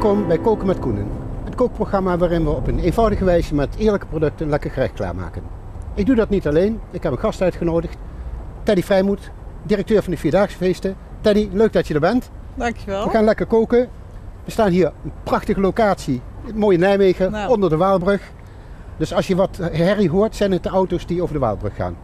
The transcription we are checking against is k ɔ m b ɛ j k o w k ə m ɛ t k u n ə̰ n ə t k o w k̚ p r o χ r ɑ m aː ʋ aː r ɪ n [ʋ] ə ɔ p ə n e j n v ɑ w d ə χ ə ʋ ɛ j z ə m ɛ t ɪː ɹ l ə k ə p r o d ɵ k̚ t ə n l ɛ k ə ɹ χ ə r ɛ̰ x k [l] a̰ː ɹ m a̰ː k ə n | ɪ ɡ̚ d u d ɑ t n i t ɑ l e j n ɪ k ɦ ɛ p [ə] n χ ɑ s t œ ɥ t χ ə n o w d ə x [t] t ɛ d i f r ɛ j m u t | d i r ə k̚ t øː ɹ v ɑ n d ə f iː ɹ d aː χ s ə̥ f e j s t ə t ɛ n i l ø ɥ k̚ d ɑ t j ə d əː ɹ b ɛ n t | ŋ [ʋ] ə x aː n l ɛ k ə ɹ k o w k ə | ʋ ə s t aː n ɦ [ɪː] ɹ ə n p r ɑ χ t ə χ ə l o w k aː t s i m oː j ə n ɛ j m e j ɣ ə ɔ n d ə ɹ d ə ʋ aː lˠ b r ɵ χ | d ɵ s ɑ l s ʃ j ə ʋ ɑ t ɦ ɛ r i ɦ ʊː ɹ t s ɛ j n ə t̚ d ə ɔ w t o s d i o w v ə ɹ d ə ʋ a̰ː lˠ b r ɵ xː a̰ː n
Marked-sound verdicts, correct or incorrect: correct, correct, correct, correct, correct, incorrect: iː

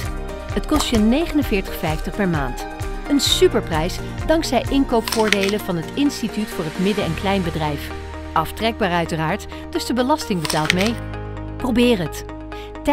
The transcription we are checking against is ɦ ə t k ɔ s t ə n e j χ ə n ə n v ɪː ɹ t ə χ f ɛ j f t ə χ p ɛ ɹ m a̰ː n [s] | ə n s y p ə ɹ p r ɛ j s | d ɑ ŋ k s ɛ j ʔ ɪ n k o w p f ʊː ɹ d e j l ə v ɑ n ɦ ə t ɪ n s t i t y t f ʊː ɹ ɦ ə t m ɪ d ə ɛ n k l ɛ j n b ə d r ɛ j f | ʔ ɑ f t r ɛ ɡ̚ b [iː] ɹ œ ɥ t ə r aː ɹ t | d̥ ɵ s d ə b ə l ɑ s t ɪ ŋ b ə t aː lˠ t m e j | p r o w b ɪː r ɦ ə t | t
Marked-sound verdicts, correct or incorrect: incorrect: t, incorrect: aː

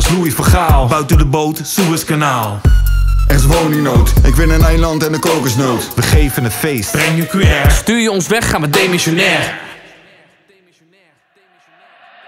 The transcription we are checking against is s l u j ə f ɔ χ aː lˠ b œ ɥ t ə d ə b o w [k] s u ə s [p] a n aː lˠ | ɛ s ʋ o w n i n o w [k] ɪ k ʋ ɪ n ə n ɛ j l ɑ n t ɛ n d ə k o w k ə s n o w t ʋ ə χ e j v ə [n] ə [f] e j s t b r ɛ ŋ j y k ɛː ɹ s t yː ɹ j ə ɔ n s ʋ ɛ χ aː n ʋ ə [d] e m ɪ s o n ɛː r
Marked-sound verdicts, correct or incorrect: incorrect: t, incorrect: k, incorrect: t, correct, correct, correct

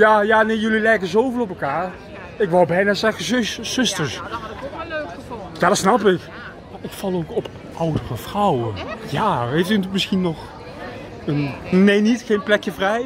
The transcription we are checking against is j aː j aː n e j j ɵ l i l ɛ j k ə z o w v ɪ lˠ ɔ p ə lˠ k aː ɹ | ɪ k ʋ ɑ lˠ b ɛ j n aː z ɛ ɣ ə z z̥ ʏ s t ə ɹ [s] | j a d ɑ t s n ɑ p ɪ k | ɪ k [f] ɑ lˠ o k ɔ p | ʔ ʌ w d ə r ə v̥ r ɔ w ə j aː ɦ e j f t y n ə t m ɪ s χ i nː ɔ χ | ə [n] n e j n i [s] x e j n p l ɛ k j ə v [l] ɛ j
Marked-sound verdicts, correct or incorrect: correct, correct, correct, incorrect: t, incorrect: r

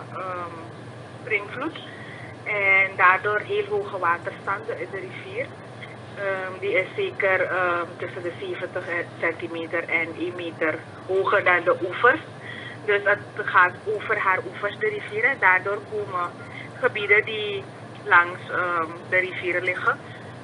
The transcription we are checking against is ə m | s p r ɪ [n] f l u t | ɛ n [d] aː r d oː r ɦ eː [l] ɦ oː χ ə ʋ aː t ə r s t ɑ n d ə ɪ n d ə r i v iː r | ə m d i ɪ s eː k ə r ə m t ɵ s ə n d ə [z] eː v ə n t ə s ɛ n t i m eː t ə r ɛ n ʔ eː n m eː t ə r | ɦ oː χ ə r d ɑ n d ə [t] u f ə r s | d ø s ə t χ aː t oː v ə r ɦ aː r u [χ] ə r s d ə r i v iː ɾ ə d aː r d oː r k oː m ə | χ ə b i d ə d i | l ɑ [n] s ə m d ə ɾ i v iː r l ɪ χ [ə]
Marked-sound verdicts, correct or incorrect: incorrect: ŋ, correct, correct, incorrect: s, incorrect: ʔ, incorrect: f, incorrect: ŋ, correct

